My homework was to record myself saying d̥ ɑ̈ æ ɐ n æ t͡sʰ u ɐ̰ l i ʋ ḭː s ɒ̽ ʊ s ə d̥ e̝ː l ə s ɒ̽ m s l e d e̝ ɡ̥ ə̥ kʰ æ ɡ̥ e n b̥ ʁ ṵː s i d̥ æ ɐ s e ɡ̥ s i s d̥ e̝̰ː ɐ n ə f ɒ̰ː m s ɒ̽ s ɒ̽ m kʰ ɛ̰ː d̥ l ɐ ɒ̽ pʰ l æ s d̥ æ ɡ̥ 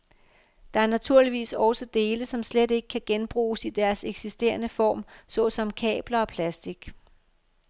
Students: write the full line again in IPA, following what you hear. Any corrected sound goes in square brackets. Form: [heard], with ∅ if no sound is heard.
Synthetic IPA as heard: d̥ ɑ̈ æ ɐ n æ t͡sʰ u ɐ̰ l i ʋ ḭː s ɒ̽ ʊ s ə d̥ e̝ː l ə s ɒ̽ m s l e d e̝ ɡ̥ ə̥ kʰ æ ɡ̥ e n b̥ ʁ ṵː s i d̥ æ ɐ s e ɡ̥ s i s d̥ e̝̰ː ɐ n ə f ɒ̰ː m s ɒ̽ s ɒ̽ m kʰ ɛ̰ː [b̥] l ɐ ɒ̽ pʰ l æ s d̥ [i] ɡ̥